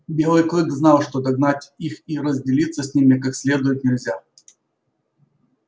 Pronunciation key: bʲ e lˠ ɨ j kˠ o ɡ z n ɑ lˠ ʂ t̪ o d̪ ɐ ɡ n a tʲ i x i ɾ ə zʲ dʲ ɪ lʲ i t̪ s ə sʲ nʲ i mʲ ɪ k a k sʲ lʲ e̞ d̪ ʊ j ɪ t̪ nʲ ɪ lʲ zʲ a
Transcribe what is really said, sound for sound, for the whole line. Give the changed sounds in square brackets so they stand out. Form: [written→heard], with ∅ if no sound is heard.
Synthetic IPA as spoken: bʲ e lˠ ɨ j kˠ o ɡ z n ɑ lˠ ʂ t̪ o d̪ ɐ ɡ n a tʲ i x i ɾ ə zʲ dʲ ɪ lʲ i t̪ s ə sʲ nʲ i mʲ ɪ k a k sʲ lʲ e̞ d̪ ʊ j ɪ t̪ nʲ ɪ lʲ zʲ a